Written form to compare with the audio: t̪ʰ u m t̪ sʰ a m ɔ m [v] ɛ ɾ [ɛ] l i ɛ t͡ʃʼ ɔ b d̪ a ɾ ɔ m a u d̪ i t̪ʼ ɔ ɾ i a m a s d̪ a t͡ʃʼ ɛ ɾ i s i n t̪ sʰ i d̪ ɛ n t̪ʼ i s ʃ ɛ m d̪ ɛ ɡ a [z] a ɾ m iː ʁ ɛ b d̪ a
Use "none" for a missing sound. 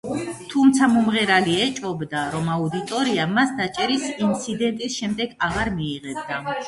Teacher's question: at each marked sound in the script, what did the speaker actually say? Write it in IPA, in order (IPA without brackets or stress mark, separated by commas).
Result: ʁ, a, ʁ